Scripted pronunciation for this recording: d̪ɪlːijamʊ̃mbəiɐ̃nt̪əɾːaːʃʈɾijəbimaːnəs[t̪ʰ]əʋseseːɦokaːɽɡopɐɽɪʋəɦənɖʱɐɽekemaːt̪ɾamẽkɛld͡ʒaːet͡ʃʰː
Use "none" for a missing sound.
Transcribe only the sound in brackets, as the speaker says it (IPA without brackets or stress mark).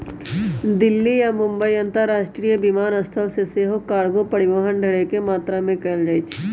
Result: t̪ʰ